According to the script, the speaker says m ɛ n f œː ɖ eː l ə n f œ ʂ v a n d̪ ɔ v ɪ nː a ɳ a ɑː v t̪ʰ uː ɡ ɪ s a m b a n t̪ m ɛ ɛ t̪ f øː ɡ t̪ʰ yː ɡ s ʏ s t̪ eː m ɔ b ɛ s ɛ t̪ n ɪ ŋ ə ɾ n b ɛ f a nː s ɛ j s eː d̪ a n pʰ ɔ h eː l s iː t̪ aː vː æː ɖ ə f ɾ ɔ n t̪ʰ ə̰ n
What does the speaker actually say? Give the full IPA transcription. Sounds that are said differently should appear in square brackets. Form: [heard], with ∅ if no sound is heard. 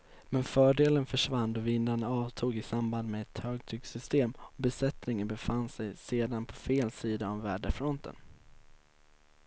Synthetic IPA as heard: m ɛ n f œː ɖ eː l ə n f œ ʂ v a n d̪ ɔ v ɪ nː a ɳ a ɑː v t̪ʰ uː ɡ ɪ s a m b a n [d̪] m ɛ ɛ t̪ [h] øː ɡ t̪ʰ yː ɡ s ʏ s t̪ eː m ɔ b ɛ s ɛ t̪ n ɪ ŋ ə [∅] n b ɛ f a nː s ɛ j s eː d̪ a n pʰ ɔ [f] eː l s iː [d̪] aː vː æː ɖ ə f ɾ ɔ n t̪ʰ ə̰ n